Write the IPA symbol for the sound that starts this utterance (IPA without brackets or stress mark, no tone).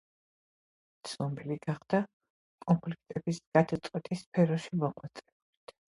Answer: t̪